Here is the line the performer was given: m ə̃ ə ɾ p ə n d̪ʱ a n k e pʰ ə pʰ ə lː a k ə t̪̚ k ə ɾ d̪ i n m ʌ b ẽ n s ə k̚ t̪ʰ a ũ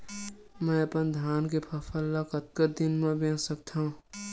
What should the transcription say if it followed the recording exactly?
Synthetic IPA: m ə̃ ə p ə n d̪ʱ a n k e pʰ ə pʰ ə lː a k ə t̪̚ k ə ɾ d̪ i n m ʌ b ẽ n s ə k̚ t̪ʰ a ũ